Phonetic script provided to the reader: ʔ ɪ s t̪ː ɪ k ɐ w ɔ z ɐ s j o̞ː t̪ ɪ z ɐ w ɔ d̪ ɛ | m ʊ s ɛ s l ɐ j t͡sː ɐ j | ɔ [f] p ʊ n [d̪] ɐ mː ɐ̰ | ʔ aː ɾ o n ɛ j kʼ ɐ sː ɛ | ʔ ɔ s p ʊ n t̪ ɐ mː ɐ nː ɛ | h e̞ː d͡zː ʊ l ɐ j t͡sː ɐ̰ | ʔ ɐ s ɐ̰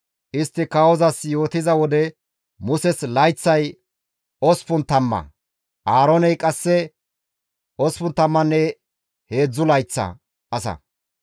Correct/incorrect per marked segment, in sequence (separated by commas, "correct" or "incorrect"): incorrect, incorrect